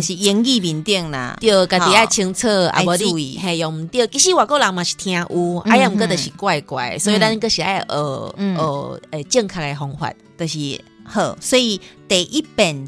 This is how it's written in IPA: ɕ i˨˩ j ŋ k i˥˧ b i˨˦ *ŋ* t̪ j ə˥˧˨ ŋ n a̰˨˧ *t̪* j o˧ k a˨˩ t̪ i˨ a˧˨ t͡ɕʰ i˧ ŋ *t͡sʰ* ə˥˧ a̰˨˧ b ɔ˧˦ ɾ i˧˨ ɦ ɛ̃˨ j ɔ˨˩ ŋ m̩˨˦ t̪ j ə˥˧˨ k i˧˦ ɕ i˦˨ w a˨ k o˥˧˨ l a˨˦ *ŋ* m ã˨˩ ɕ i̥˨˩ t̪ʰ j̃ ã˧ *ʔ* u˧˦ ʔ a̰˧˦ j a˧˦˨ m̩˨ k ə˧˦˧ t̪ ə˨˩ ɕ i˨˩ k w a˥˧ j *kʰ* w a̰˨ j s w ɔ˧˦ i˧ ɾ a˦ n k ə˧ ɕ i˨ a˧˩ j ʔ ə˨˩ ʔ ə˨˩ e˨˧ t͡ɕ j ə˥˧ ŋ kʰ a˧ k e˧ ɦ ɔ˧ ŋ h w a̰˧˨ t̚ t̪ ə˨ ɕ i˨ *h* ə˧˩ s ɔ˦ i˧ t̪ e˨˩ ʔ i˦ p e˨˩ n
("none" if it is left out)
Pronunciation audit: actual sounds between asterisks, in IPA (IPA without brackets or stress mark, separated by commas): n, t̪, t͡sʰ, ŋ, ʔ, k, h